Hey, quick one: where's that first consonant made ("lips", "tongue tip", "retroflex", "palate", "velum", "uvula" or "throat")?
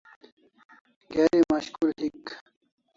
velum